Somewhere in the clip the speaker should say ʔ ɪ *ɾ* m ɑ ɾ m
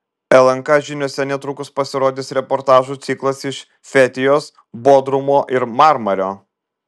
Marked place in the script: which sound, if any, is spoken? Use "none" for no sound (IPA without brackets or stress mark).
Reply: ɾ